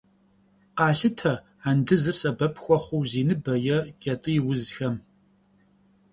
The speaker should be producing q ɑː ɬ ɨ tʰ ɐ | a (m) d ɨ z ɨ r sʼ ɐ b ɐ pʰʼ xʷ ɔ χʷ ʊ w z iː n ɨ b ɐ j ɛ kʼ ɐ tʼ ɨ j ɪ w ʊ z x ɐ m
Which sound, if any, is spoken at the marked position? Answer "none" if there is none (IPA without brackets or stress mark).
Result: n